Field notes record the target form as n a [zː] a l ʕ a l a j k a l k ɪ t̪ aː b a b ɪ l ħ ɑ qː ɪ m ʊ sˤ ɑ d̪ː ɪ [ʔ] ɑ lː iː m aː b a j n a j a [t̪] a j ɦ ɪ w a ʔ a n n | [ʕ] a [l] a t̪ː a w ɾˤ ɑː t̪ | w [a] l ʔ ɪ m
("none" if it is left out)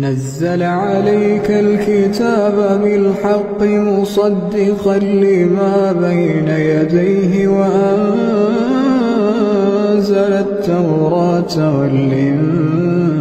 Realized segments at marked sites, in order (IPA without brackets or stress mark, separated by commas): zː, q, d̪, z, l, a